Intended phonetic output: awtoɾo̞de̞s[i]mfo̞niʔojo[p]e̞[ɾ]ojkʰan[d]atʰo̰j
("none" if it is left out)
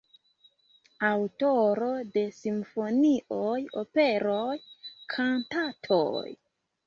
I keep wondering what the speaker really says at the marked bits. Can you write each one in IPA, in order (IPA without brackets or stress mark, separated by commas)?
i, p, ɾ, t